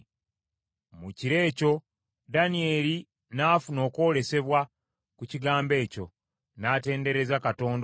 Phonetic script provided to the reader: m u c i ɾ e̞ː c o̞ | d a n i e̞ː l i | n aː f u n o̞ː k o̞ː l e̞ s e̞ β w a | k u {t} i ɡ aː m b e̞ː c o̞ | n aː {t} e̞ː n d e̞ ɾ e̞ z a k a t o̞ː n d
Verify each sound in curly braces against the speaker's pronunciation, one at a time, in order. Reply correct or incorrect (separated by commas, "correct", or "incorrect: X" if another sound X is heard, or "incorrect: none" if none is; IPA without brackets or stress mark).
incorrect: c, correct